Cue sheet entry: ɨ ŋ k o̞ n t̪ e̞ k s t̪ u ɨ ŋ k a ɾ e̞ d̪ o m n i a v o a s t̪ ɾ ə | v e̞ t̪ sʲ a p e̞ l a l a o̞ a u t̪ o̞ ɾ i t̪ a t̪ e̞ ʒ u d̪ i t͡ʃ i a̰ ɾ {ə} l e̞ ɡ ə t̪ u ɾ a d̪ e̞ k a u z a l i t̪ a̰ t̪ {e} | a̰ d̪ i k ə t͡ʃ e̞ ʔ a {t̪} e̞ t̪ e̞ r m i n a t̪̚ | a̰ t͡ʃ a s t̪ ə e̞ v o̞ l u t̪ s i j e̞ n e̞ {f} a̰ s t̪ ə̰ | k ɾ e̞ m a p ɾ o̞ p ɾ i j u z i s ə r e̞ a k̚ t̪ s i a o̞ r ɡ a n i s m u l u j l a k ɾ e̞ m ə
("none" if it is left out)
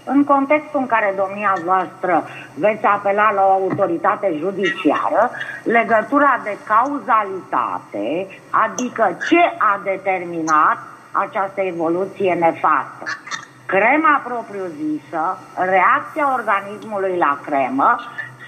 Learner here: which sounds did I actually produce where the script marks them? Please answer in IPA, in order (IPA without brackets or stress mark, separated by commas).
ə, e, d̪, f